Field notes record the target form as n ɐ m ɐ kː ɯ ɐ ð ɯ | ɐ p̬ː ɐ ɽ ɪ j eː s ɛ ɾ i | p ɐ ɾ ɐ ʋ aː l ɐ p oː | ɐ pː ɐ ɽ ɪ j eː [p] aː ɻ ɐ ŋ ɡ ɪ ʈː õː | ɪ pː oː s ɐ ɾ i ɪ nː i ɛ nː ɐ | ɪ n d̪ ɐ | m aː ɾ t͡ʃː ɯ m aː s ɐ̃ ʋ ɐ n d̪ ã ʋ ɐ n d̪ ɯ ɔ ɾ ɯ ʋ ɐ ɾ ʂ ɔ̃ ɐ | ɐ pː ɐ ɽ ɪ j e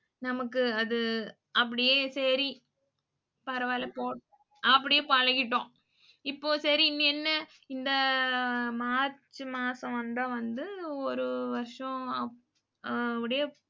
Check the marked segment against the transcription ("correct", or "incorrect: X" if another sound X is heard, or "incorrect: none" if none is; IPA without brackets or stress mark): correct